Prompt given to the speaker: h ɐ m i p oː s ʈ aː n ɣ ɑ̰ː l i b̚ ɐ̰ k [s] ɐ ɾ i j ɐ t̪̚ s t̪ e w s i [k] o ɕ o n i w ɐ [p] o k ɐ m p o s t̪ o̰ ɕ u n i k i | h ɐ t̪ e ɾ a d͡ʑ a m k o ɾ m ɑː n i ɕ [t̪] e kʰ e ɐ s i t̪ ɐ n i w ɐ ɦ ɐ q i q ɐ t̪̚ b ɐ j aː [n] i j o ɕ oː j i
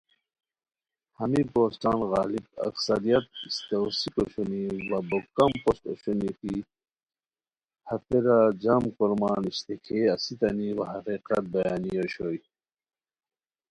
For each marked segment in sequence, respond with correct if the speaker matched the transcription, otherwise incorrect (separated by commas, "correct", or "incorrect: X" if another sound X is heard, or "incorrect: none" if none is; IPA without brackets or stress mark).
correct, correct, incorrect: b, correct, correct